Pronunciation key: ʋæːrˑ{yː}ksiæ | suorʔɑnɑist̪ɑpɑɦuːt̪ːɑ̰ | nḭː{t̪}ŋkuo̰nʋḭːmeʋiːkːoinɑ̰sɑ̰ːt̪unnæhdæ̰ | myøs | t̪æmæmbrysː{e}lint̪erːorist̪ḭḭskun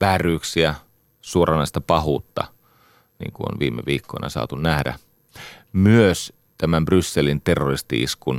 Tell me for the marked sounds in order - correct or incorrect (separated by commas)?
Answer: correct, incorrect, correct